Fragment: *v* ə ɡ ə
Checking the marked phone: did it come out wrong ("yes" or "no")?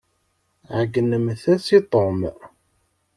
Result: yes